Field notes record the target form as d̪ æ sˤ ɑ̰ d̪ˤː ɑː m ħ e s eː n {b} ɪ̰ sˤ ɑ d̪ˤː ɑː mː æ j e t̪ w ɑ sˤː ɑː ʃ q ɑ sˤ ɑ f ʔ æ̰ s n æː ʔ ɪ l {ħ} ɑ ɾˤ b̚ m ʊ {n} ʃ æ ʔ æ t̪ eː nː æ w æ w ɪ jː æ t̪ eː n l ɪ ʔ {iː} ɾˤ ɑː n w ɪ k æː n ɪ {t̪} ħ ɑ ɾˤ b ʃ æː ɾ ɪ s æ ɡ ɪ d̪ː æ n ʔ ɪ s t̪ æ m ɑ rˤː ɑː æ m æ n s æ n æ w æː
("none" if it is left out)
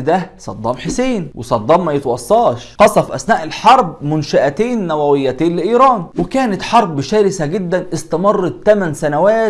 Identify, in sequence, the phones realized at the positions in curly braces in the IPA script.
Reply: w, ħ, n, iː, t̪

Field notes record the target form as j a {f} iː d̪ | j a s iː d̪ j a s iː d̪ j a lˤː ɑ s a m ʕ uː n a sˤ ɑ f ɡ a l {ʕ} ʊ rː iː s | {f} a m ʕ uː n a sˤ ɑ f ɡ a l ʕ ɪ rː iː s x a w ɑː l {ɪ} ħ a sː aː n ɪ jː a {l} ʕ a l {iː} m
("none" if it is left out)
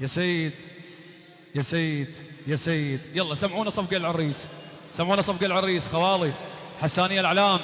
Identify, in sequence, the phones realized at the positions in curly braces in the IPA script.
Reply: s, ʕ, s, i, l, aː

